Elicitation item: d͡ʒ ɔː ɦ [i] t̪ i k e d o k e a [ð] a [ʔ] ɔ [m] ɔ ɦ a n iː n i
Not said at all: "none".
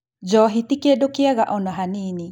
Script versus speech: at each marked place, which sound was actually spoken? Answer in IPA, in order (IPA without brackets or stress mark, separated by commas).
i, ɣ, ʔ, n